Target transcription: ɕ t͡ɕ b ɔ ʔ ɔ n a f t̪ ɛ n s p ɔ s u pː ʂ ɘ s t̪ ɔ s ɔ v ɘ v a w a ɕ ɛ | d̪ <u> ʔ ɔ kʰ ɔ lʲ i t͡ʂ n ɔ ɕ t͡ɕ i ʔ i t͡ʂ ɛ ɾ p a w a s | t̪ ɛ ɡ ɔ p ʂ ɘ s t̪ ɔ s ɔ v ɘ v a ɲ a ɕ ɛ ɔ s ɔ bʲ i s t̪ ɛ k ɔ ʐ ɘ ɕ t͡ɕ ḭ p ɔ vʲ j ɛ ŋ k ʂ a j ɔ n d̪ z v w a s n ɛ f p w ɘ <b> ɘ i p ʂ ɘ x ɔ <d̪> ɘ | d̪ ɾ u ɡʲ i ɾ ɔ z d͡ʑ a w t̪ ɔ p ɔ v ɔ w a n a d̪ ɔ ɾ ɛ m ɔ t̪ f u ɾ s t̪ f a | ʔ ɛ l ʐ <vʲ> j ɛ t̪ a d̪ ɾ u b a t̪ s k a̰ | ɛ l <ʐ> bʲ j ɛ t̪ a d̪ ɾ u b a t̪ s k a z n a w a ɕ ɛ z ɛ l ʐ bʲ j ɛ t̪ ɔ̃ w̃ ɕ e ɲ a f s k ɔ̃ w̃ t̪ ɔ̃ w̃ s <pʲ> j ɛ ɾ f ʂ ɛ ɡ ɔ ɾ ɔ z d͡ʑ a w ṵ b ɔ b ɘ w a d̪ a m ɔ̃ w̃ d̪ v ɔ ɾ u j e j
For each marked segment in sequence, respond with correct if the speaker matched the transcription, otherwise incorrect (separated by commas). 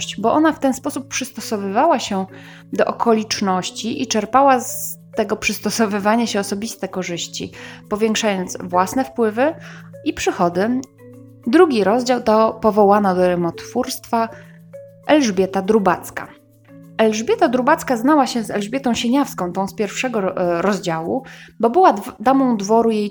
incorrect, incorrect, correct, incorrect, correct, correct